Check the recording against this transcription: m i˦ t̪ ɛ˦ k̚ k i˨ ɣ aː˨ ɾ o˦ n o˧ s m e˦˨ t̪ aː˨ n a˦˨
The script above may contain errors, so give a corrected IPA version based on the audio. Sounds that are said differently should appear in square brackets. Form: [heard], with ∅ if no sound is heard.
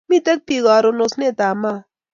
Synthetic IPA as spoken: m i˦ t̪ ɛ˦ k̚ [p] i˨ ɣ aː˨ ɾ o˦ n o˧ s [n] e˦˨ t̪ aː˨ [m] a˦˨